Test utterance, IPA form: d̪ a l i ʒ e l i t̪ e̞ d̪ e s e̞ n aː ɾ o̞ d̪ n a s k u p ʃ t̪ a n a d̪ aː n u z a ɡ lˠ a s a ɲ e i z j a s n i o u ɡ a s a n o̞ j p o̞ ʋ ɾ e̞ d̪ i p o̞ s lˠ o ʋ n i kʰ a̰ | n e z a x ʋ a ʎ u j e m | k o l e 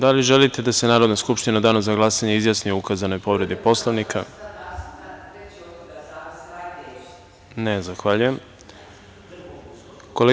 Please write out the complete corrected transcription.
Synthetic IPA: d̪ a l i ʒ e l i t̪ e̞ d̪ a s e̞ n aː ɾ o̞ d̪ n a s k u p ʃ t̪ i n a d̪ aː n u z a ɡ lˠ a s a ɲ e i z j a s n i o u k a z a n o̞ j p o̞ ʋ ɾ e̞ d̪ i p o̞ s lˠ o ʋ n i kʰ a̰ | n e z a x ʋ a ʎ u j e m | k o l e